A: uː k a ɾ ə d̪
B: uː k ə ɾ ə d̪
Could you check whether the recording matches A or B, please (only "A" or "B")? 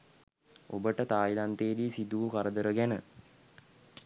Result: A